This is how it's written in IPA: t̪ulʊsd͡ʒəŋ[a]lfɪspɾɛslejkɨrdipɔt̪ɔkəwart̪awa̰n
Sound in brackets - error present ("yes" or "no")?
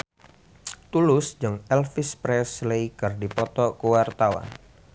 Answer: yes